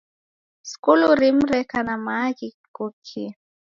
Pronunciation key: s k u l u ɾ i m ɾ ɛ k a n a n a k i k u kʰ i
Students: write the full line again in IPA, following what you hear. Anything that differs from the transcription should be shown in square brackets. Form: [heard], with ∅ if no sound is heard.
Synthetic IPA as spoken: s k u l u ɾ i m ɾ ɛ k a n a [m] a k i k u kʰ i